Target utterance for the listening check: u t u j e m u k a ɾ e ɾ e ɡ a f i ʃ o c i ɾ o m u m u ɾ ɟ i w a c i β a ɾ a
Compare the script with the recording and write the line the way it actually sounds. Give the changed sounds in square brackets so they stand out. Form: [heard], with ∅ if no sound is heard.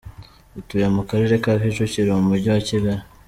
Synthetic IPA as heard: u t u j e m u k a ɾ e ɾ e [k] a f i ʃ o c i ɾ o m u m u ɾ ɟ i w a c i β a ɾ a